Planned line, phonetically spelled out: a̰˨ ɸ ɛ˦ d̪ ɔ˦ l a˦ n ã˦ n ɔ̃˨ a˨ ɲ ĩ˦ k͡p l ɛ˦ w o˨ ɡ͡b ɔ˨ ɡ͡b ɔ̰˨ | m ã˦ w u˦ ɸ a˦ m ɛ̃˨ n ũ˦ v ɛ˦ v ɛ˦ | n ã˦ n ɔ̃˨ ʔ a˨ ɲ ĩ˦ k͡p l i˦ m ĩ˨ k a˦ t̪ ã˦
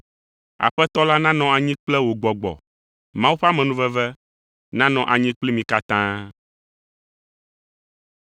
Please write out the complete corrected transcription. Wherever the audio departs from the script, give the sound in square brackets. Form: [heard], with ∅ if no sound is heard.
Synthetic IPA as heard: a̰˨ ɸ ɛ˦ [t̪] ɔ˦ l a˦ n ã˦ n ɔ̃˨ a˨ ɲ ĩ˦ k͡p l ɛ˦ w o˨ ɡ͡b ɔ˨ ɡ͡b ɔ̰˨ | m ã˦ w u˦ ɸ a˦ m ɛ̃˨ n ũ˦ v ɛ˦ v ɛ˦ | n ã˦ n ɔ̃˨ ʔ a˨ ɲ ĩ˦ k͡p l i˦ m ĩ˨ k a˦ t̪ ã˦

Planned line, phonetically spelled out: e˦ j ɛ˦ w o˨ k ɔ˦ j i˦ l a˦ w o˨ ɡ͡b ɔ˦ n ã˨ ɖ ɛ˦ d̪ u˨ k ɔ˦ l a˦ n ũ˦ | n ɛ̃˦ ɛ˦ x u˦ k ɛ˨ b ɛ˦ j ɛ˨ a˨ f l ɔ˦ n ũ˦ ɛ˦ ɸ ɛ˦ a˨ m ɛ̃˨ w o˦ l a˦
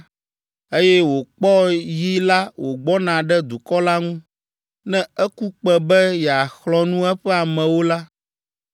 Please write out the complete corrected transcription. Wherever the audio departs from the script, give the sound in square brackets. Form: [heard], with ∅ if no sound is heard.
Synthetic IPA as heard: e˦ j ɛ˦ w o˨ [k͡p] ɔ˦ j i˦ l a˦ w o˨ ɡ͡b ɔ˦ n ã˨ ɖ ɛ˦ d̪ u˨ k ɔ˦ l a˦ [ŋ] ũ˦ | n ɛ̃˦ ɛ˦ [k] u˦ [k͡p] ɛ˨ b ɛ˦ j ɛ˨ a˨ [x] l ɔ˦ n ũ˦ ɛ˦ ɸ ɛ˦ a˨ m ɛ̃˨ w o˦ l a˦

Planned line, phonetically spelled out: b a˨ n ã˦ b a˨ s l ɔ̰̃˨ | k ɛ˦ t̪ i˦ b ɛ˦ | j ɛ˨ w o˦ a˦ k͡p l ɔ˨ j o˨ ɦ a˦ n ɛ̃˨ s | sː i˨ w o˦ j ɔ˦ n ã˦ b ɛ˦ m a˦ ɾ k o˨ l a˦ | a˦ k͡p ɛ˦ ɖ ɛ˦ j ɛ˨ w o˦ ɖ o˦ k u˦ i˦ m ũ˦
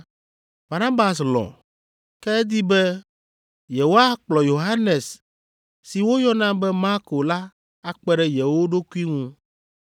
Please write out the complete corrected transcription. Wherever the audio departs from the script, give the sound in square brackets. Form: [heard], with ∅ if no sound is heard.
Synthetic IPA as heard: b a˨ n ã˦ b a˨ s l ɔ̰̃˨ | k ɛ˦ [d̪] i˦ b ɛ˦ | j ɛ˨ w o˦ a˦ k͡p l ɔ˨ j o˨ ɦ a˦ n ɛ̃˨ s | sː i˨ w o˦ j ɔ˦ n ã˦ b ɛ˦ m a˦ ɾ k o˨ l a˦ | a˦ k͡p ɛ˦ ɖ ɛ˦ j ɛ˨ w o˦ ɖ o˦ k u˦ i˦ [ŋ] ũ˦

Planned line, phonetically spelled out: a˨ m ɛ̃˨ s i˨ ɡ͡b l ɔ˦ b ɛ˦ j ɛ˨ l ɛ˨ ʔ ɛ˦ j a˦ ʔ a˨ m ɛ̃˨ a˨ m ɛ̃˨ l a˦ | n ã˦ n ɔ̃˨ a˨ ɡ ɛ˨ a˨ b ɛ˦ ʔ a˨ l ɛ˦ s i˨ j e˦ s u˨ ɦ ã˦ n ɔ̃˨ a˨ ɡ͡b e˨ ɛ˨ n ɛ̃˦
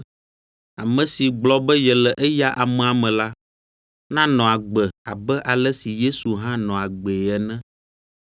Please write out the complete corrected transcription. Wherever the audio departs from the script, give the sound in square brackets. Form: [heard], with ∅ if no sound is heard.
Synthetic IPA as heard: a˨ m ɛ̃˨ s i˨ ɡ͡b l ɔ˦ b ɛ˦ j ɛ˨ l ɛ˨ ʔ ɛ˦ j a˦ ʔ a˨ m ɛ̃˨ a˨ m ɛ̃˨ l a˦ | n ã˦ n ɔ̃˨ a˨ [ɡ͡b] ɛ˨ a˨ b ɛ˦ ʔ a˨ l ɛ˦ s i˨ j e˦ s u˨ ɦ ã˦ n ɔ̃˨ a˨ ɡ͡b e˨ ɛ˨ n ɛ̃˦

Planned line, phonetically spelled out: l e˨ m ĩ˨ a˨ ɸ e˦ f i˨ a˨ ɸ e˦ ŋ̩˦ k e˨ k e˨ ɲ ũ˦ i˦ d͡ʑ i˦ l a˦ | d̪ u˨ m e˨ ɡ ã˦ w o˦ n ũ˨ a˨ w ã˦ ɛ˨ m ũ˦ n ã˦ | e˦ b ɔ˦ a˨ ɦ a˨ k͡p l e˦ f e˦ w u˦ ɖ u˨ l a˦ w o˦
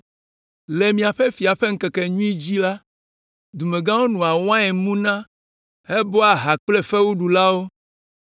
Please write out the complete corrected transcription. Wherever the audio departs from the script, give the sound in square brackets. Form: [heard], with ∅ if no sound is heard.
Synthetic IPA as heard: l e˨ m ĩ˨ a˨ ɸ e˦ f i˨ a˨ ɸ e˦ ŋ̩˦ k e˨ k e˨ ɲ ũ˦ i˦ d͡ʑ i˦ l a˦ | d̪ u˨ m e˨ ɡ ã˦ w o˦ n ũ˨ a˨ w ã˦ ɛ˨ m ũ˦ n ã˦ | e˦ b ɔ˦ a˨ ɦ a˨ k͡p l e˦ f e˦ w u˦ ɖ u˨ l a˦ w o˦

